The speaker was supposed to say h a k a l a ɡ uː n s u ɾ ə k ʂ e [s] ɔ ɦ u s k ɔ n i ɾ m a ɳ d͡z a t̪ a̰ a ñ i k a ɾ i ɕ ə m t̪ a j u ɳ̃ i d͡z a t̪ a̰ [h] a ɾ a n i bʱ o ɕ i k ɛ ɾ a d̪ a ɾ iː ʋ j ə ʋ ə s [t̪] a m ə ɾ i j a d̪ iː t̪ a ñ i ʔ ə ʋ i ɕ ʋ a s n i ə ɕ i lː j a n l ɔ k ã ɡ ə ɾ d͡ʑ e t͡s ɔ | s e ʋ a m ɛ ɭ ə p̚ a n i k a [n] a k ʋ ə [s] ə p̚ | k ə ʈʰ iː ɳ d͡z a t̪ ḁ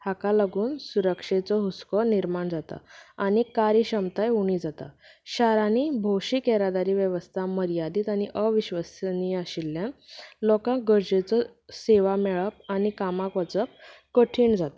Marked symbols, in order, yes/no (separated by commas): no, no, no, no, no